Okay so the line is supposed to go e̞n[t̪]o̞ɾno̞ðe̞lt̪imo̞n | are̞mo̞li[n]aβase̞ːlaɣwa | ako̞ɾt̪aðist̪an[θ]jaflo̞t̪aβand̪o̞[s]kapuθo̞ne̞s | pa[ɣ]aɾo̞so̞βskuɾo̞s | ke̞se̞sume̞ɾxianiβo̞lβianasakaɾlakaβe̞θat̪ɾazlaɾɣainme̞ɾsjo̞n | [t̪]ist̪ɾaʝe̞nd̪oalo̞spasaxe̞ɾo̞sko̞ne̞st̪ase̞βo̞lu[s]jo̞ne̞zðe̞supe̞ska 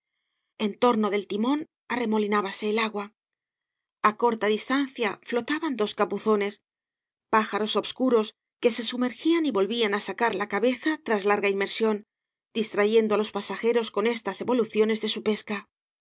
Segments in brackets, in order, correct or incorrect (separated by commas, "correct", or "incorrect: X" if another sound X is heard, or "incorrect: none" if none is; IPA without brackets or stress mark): correct, correct, correct, correct, incorrect: x, incorrect: d̪, incorrect: θ